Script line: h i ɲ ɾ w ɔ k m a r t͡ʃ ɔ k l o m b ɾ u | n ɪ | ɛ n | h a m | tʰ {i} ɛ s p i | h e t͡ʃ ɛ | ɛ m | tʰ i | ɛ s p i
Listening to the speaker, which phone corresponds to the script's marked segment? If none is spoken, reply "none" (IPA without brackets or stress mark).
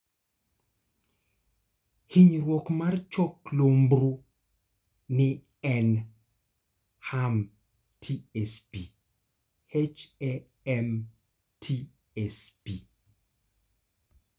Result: i